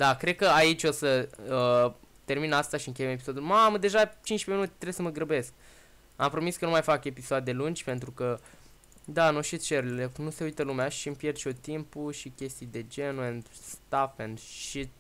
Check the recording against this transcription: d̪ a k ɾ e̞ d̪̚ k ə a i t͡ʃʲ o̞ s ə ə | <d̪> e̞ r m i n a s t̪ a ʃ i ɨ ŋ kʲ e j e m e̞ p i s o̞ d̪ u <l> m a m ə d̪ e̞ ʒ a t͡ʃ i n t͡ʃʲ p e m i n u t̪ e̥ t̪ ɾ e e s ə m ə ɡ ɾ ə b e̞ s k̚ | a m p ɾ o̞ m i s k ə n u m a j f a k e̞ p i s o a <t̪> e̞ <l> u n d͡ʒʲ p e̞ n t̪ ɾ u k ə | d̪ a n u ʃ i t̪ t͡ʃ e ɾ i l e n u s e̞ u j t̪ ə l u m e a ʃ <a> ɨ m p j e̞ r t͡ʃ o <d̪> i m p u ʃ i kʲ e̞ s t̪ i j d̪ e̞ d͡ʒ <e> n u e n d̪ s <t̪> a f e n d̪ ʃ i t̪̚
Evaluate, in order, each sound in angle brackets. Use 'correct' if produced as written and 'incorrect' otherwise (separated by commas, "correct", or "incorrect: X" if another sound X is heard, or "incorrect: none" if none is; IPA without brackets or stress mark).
incorrect: t̪, correct, incorrect: d̪, correct, incorrect: i, incorrect: t̪, correct, correct